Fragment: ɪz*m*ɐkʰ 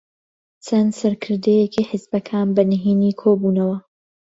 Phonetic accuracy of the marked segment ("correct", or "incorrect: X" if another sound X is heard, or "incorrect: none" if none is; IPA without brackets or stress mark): incorrect: b